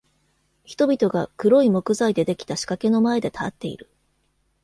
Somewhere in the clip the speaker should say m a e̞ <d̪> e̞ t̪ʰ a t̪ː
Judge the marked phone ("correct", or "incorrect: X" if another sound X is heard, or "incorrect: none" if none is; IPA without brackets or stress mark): correct